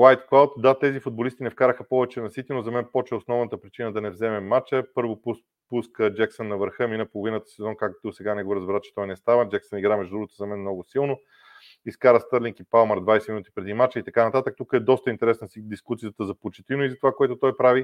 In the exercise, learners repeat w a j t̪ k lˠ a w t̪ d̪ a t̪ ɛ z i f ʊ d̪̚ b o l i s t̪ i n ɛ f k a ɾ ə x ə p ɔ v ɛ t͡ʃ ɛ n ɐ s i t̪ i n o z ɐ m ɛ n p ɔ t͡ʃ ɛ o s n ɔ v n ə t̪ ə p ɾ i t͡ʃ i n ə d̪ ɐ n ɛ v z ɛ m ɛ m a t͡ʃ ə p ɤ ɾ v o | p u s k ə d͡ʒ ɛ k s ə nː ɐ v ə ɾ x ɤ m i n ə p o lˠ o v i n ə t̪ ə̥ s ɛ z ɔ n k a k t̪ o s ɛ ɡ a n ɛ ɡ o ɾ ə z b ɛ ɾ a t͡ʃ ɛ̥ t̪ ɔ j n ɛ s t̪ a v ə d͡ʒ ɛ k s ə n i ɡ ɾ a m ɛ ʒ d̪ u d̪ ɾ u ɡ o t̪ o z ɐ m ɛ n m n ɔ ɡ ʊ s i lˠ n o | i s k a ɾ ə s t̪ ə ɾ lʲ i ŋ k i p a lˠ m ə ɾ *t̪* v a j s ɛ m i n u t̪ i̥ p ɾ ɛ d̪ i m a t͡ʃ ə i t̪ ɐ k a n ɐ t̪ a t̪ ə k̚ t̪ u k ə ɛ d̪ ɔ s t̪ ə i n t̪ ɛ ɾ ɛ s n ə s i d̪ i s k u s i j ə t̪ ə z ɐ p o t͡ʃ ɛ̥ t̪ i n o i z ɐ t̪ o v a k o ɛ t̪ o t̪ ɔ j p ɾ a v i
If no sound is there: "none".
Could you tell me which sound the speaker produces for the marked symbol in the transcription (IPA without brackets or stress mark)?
d̪